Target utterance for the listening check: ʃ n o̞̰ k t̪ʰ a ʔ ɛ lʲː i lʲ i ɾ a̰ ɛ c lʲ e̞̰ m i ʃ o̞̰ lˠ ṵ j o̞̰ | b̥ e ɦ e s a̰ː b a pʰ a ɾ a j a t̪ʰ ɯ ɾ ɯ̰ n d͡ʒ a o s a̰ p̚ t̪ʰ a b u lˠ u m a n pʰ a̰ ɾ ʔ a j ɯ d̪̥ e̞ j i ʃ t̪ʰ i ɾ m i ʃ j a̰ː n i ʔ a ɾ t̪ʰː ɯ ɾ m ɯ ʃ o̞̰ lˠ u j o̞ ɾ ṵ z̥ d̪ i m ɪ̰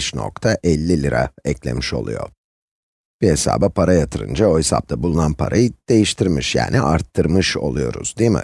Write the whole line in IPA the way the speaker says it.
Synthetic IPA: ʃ n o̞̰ k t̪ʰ a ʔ ɛ lʲː i lʲ i ɾ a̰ ɛ c lʲ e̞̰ m i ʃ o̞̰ lˠ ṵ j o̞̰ | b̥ i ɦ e s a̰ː b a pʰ a ɾ a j a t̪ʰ ɯ ɾ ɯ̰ n d͡ʒ a o s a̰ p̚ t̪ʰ a b u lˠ u n a n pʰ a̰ ɾ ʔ a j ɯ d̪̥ e̞ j i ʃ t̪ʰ i ɾ m i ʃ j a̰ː n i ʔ a ɾ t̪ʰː ɯ ɾ m ɯ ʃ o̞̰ lˠ u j o̞ ɾ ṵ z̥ d̪ i m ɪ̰